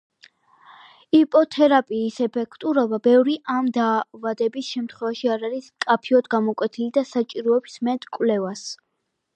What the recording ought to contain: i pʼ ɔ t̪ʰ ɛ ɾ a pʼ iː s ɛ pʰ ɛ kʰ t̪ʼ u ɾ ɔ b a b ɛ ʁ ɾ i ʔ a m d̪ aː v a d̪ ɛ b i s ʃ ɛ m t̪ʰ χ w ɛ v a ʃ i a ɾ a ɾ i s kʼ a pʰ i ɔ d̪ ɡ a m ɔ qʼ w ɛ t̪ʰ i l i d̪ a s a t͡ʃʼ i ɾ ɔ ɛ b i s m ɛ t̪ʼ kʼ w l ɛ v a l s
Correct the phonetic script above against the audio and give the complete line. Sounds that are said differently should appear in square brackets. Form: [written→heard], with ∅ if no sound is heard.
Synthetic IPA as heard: i pʼ ɔ t̪ʰ ɛ ɾ a pʼ iː s ɛ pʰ ɛ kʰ t̪ʼ u ɾ ɔ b a b ɛ [ʁ→v] ɾ i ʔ a m d̪ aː v a d̪ ɛ b i s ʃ ɛ m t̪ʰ χ w ɛ v a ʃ i a ɾ a ɾ i s kʼ a pʰ i ɔ d̪ ɡ a m ɔ [qʼ→kʼ] w ɛ t̪ʰ i l i d̪ a s a t͡ʃʼ i ɾ ɔ ɛ b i s m ɛ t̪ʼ kʼ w l ɛ v a [l→∅] s